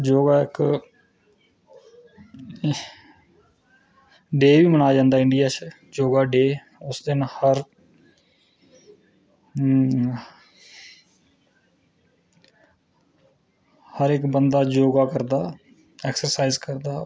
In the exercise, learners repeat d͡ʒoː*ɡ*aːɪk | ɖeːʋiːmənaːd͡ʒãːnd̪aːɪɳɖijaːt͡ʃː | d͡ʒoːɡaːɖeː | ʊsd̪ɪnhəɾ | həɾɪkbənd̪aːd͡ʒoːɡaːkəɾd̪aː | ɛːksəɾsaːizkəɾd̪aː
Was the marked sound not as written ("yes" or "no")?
no